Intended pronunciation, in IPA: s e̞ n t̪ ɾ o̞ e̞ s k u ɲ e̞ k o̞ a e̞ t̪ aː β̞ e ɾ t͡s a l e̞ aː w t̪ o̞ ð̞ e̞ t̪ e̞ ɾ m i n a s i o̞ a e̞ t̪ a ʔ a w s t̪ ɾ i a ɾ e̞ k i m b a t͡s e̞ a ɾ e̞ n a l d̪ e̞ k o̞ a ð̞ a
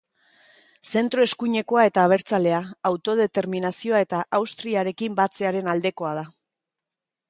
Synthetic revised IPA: s e̞ n t̪ ɾ o̞ e̞ s k u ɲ e̞ k o̞ a e̞ t̪ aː β̞ e ɾ t͡s a l e̞ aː w t̪ o̞ ð̞ e̞ t̪ e̞ ɾ m i n a s i o̞ a e̞ t̪ a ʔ a w s t̪ ɾ i a ɾ e̞ k i m b a t͡s e̞ a ɾ e̞ n a l d̪ e̞ k o̞ a ð̞ a